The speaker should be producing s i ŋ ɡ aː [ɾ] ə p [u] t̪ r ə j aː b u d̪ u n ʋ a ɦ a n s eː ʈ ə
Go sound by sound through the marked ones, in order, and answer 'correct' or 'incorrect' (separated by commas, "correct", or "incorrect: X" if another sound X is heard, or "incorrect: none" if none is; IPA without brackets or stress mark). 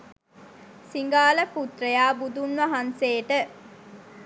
incorrect: l, correct